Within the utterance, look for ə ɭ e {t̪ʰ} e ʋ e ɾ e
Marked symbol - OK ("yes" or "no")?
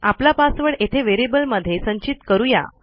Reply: yes